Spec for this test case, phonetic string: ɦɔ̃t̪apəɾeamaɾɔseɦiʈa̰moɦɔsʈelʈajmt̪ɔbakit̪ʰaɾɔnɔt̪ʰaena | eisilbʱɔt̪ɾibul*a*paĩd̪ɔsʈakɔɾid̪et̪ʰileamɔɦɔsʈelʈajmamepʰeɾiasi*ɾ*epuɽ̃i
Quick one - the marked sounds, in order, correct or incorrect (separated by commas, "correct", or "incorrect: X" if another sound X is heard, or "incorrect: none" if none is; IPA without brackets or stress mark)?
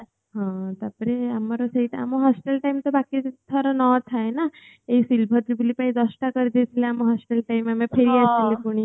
incorrect: i, incorrect: l